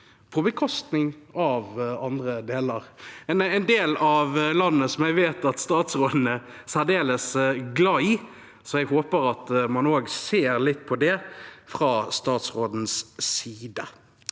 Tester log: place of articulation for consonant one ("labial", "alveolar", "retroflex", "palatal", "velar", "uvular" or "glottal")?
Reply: labial